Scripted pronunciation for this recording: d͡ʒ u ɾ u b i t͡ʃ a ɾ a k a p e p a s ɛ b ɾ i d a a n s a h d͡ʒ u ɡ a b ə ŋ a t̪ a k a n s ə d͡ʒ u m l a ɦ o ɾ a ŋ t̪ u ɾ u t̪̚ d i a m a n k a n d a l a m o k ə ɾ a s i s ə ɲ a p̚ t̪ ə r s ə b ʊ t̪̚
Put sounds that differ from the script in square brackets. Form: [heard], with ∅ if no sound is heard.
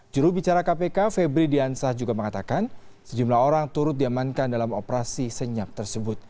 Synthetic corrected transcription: d͡ʒ u ɾ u b i t͡ʃ a ɾ a k a p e [k] a [f] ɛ b ɾ i d [i] a n s a h d͡ʒ u ɡ a [m] ə ŋ a t̪ a k a n s ə d͡ʒ u m l a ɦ o ɾ a ŋ t̪ u ɾ [ʊ] t̪̚ d i a m a n k a n d a l a m o [p] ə ɾ a s i s ə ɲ a p̚ t̪ ə r s ə b ʊ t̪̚